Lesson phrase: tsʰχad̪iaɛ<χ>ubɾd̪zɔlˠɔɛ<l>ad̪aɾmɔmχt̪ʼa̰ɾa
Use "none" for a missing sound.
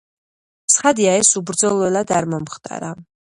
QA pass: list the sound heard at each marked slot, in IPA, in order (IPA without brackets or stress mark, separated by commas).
s, l